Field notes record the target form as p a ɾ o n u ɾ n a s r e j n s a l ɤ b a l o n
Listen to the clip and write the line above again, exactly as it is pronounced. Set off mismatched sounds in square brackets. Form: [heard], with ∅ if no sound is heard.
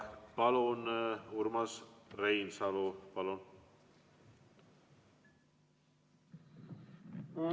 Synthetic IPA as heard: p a [l] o n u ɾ [m] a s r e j n s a l [o] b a l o n